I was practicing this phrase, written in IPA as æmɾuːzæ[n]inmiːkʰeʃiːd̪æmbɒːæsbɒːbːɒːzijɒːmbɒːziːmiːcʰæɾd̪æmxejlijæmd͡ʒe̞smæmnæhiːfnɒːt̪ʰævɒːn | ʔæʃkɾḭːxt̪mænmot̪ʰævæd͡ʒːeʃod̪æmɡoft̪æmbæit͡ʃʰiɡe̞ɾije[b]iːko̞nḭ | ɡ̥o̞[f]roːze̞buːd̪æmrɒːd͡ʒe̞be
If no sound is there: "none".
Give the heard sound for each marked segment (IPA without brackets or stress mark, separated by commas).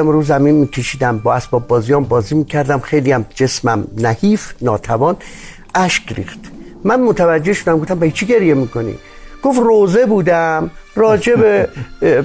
m, m, f